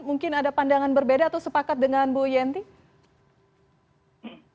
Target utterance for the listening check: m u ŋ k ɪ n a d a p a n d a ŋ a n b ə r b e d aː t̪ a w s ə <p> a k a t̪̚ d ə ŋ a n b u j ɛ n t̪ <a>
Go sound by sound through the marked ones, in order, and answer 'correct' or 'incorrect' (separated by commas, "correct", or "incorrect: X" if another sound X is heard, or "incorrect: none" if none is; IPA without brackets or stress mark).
correct, incorrect: i